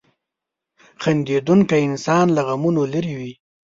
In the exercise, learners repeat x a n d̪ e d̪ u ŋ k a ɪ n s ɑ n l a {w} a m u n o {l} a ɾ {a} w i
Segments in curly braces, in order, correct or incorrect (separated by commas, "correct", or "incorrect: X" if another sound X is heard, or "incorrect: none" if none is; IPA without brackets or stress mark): incorrect: ɣ, correct, incorrect: i